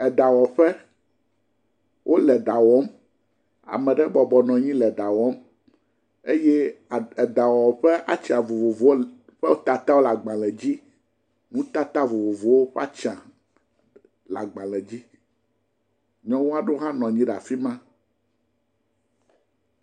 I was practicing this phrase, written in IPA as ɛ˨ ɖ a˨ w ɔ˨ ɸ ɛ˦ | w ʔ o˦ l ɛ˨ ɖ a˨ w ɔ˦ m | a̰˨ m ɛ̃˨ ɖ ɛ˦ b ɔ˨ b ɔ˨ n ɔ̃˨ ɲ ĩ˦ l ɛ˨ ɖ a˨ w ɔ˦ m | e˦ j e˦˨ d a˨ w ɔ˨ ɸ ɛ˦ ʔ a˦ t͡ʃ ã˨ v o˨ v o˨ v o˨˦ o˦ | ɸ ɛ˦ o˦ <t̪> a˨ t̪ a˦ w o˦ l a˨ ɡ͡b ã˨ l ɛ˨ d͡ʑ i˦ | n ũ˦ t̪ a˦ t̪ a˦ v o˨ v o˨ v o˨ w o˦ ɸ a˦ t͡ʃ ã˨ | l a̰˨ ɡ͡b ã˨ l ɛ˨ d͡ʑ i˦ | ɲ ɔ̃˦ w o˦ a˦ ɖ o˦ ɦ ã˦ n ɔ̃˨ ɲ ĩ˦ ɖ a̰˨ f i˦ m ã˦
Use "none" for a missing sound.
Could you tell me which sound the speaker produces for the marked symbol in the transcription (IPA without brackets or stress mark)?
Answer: t̪